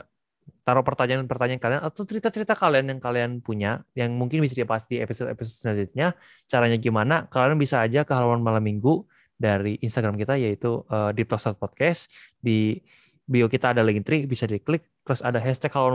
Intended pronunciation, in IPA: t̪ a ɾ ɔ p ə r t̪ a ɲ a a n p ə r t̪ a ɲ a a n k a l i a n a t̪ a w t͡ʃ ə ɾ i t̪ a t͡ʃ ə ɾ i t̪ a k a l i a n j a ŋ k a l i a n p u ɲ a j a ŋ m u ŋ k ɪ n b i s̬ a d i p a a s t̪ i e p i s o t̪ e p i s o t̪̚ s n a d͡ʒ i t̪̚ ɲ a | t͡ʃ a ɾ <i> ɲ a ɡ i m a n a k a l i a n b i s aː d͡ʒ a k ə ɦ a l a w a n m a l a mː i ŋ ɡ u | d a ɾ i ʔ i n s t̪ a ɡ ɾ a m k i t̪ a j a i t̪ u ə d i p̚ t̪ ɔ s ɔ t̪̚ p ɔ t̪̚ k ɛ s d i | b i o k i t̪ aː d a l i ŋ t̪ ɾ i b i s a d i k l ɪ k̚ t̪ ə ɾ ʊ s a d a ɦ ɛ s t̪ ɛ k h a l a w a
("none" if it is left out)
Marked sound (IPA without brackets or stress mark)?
a